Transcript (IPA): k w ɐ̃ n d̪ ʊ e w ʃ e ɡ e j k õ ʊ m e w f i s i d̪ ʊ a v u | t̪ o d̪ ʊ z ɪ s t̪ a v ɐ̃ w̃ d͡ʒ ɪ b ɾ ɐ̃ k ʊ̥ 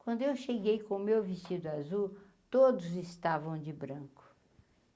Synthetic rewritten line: k w ɐ̃ n d̪ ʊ e w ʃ e ɡ e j k õ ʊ m e w v i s i d̪ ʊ a z u | t̪ o d̪ ʊ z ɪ s t̪ a v ɐ̃ w̃ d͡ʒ ɪ b ɾ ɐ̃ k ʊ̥